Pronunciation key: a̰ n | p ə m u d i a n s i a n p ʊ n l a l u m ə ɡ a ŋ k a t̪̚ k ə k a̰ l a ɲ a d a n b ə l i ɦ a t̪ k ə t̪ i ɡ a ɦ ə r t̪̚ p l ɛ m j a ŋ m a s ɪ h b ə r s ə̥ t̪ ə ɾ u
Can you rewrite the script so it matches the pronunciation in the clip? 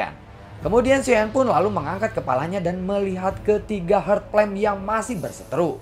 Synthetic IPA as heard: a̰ n | k ə m u d i a n s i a n p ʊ n l a l u m ə ŋ a ŋ k a t̪̚ k ə p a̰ l a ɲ a d a n m ə l i ɦ a t̪ k ə t̪ i ɡ a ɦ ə r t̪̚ p l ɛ m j a ŋ m a s ɪ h b ə r s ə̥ t̪ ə ɾ u